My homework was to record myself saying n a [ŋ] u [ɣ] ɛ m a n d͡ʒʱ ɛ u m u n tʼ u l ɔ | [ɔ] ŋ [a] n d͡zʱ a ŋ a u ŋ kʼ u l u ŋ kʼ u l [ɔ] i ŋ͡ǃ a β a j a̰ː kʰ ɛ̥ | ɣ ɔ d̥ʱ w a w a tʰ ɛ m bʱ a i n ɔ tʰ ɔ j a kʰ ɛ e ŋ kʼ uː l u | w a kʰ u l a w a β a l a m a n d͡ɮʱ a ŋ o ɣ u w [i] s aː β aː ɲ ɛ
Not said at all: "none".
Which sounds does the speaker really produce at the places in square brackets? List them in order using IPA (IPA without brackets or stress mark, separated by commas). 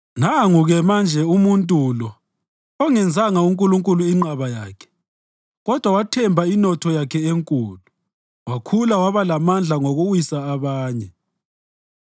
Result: ŋ, ɣ, ɔ, ɛ, u, i